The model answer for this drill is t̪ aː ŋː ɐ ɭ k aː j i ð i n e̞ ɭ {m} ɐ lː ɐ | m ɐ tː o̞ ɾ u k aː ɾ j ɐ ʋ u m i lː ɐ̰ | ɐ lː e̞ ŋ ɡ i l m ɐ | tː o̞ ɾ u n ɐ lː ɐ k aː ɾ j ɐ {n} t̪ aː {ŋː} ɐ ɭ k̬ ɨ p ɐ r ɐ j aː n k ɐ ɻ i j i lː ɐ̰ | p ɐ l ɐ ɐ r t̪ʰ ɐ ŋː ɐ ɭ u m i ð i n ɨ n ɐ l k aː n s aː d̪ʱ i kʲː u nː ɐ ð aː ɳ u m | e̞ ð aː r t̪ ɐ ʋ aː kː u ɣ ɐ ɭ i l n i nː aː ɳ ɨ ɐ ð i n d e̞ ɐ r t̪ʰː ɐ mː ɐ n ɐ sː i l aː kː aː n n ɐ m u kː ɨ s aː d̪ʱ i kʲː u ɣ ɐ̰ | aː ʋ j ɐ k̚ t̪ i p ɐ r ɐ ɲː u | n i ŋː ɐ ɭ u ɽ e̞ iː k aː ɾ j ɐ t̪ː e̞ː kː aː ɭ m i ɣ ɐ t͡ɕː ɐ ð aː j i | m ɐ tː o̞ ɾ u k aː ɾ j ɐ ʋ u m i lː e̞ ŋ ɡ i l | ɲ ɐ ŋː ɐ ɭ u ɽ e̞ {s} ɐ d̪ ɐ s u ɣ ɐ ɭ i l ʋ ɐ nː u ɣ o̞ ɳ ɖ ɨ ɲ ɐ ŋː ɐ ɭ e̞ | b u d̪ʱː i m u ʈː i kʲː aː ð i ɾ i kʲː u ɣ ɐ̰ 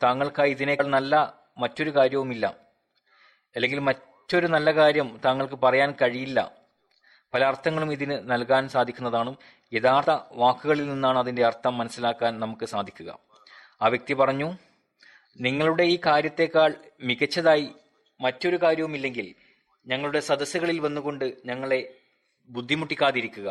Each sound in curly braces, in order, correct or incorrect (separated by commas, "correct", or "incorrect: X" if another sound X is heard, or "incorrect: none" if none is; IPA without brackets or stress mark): incorrect: n, incorrect: m, correct, correct